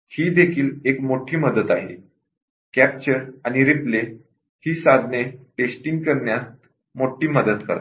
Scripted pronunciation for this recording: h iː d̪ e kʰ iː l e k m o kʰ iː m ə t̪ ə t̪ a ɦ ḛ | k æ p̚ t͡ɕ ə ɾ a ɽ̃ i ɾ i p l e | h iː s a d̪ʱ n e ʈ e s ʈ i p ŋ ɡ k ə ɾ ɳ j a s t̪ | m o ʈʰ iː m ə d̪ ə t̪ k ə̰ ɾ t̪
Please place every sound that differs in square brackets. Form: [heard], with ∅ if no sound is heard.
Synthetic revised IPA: h iː d̪ e kʰ iː l e k m o [ʈʰ] iː m ə [d̪] ə t̪ a ɦ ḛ | k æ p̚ t͡ɕ ə ɾ a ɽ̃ i ɾ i p l e | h iː s a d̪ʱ n e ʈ e s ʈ i [∅] ŋ ɡ k ə ɾ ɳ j a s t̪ | m o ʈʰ iː m ə d̪ ə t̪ k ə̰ ɾ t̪